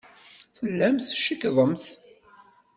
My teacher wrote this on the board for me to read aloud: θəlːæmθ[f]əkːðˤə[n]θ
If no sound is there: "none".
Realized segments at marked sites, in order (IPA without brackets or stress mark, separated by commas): ʃ, m